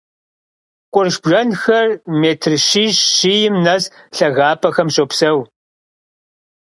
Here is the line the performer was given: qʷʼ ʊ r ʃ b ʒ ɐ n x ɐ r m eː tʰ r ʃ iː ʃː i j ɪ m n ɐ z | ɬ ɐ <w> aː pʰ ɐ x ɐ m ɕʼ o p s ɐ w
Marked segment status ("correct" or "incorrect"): incorrect